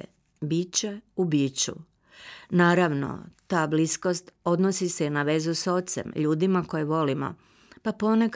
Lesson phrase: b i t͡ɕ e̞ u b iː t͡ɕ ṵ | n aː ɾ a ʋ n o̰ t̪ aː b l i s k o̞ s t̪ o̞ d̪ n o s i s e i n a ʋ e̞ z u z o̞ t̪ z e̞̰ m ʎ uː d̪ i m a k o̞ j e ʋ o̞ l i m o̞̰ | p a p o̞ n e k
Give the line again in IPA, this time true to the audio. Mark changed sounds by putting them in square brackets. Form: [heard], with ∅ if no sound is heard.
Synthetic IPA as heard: b i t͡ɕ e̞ u b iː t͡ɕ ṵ | n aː ɾ a ʋ n o̰ t̪ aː b l i s k o̞ s t̪ o̞ d̪ n o s i s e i n a ʋ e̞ z u [s] o̞ t̪ [s] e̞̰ m ʎ uː d̪ i m a k o̞ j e ʋ o̞ l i m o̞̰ | p a p o̞ n e k